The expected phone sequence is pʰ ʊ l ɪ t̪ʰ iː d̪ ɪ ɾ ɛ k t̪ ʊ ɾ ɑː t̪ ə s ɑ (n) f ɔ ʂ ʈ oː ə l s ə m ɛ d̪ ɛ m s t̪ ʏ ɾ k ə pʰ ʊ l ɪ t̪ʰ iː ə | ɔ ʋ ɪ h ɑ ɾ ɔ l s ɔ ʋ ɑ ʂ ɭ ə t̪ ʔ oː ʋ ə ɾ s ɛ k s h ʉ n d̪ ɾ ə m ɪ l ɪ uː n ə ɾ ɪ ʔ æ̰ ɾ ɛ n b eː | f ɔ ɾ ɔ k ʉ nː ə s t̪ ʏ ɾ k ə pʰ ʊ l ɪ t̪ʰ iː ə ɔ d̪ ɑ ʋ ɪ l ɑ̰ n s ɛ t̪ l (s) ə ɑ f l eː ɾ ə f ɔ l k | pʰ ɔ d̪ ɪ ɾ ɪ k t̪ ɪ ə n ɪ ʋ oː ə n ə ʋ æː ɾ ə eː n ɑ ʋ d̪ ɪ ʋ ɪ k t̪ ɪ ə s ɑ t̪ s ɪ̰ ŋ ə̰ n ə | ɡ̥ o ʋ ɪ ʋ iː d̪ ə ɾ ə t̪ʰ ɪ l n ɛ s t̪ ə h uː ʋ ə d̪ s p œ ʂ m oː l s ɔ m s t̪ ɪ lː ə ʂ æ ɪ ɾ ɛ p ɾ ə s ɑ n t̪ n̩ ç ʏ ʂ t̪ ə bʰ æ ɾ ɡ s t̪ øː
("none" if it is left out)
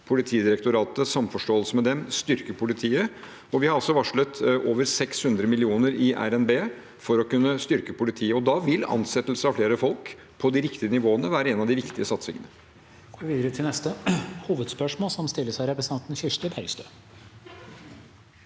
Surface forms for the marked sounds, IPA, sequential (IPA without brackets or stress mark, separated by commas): m, s